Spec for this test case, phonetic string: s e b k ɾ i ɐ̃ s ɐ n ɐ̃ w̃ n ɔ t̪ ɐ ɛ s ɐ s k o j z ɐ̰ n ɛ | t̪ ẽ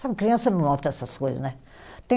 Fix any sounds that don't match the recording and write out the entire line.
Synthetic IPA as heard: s a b k ɾ i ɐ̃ s ɐ n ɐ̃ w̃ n ɔ t̪ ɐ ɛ s ɐ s k o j z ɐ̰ n ɛ | t̪ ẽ